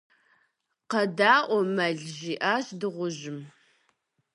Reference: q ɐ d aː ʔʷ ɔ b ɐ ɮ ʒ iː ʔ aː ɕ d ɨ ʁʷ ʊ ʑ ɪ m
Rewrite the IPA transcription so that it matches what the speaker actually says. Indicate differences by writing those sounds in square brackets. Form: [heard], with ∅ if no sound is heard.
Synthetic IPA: q ɐ d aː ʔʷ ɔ [m] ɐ ɮ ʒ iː ʔ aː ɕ d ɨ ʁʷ ʊ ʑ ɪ m